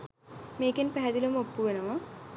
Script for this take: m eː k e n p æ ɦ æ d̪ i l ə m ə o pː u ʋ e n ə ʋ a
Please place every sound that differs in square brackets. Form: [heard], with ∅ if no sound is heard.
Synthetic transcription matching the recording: m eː k e n p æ ɦ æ d̪ i l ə m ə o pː u ʋ e n ə ʋ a

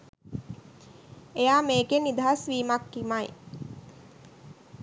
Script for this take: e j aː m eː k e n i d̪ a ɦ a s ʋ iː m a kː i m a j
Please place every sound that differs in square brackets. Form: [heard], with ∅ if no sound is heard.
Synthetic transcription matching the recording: e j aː m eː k e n i d̪ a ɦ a s ʋ iː m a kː i m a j

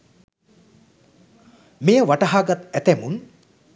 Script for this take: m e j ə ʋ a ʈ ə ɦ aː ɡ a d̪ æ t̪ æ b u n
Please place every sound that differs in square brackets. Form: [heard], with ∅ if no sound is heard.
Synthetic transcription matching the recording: m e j ə ʋ a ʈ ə ɦ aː ɡ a [t̪] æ t̪ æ [m] u n

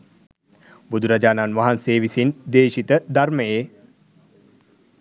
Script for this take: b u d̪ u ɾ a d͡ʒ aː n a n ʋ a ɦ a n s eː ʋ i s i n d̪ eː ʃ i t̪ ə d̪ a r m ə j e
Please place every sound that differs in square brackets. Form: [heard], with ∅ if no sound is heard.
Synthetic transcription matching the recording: b u d̪ u ɾ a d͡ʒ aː n a n ʋ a ɦ a n s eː ʋ i s i n d̪ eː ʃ i t̪ ə d̪ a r m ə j e

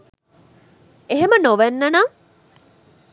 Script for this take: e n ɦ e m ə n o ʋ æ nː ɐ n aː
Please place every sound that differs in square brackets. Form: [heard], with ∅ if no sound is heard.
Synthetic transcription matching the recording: e [∅] ɦ e m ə n o ʋ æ nː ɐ n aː

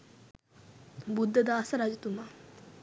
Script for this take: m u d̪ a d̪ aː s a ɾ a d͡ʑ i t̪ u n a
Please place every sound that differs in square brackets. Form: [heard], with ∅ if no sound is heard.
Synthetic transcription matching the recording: [b] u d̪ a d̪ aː s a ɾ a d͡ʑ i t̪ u [m] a

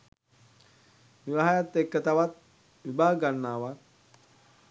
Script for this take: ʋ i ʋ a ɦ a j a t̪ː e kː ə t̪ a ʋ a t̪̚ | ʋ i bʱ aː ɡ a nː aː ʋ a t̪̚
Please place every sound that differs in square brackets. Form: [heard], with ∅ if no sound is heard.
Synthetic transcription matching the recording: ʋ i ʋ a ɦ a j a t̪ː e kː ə t̪ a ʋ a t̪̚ | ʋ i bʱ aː ɡ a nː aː ʋ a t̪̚

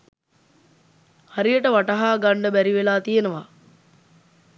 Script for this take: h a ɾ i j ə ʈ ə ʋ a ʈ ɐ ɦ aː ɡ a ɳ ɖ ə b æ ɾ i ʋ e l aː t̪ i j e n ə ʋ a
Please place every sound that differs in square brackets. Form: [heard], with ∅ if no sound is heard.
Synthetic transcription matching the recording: h a ɾ i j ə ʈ ə ʋ a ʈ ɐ ɦ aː ɡ a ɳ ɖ ə b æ ɾ i ʋ e l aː t̪ i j e n ə ʋ a

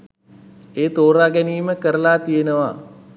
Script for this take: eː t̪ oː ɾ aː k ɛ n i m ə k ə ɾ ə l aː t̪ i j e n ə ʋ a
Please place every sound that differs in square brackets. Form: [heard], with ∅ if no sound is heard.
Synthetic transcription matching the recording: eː t̪ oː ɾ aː [ɡ] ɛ n [iː] m ə k ə ɾ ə l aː t̪ i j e n ə ʋ a

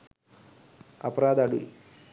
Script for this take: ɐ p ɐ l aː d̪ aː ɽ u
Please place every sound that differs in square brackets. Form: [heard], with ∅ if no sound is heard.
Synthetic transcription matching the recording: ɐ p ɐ [ɾ] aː d̪ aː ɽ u

